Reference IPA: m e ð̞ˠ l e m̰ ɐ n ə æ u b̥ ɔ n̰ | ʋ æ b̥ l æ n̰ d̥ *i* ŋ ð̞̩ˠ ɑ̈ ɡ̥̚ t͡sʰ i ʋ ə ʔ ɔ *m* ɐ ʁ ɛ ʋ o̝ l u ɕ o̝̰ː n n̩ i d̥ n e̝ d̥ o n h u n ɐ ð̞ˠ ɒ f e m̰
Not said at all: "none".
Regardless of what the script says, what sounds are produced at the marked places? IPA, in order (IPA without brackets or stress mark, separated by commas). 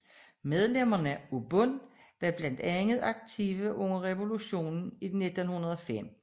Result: æ, ŋ